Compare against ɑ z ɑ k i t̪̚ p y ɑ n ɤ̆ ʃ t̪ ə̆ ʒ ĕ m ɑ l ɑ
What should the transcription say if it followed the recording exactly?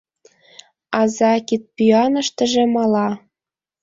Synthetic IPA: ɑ z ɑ k i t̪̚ p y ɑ n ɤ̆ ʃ t̪ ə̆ ʒ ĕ m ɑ l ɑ